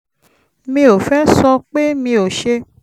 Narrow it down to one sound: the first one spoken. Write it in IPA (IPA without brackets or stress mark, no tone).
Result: m